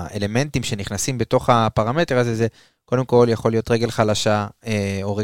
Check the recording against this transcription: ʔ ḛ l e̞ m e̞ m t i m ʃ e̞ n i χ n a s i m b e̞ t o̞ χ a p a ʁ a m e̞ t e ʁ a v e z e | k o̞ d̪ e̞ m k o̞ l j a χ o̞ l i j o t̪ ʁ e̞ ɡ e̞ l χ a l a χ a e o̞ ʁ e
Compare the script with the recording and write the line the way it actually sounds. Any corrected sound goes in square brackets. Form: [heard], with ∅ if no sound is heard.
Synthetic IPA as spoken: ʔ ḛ l e̞ m e̞ [n] t i m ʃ e̞ n i χ n a s i m b e̞ t o̞ χ a p a ʁ a m e̞ t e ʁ a [z] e z e | k o̞ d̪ e̞ m k o̞ l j a χ o̞ l i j o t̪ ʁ e̞ ɡ e̞ l χ a l a [ʃ] a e o̞ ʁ e